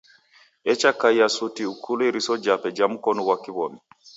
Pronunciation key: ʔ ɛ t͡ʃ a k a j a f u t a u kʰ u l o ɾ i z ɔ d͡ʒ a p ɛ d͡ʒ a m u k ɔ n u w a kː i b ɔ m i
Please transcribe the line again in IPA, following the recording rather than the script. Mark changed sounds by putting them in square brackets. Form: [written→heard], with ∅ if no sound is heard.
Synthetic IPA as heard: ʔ ɛ t͡ʃ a k a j a [f→s] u t [a→i] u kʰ u l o ɾ i [z→s] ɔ d͡ʒ a p ɛ d͡ʒ a m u k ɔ n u w a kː i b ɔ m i

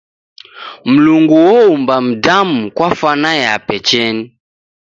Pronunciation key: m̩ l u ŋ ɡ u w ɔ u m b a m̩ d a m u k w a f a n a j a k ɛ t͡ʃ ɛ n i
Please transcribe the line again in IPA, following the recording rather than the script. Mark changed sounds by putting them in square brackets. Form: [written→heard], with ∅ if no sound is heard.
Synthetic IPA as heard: m̩ l u ŋ ɡ u w ɔ u m b a m̩ d a m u k w a f a n a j a [k→p] ɛ t͡ʃ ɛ n i

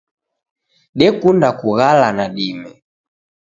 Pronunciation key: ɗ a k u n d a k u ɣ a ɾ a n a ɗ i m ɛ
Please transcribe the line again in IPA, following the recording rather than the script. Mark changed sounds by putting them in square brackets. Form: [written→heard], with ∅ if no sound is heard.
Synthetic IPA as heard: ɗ [a→ɛ] k u n d a k u ɣ a [ɾ→l] a n a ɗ i m ɛ

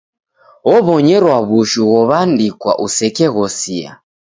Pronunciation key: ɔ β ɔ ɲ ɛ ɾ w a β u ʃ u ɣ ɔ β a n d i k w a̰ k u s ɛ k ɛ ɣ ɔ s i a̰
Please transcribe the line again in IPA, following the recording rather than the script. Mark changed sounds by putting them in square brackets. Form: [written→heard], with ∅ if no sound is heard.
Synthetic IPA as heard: ɔ β ɔ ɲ ɛ ɾ w a β u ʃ u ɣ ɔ β a n d i k w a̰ [k→ʔ] u s ɛ k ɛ ɣ ɔ s i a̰

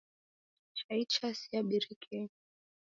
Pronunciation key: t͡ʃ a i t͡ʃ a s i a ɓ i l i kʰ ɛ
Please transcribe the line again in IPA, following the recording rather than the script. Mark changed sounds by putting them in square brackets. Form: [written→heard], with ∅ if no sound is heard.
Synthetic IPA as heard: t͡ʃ a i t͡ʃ a s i a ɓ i [l→ɾ] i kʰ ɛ

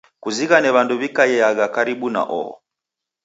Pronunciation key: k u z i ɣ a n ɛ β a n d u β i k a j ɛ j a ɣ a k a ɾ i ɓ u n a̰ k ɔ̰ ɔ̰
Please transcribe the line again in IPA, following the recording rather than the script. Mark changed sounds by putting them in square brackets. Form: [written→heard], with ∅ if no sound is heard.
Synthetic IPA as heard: k u z i ɣ a n ɛ β a n d u β i k a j ɛ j a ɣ a k a ɾ i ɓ u n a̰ [k→ʔ] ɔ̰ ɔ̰

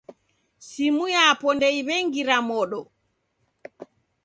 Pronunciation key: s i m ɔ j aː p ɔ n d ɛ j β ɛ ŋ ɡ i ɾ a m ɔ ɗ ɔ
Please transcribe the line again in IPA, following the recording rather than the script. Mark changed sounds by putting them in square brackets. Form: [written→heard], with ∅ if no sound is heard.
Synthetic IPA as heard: s i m [ɔ→u] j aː p ɔ n d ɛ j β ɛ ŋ ɡ i ɾ a m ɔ ɗ ɔ

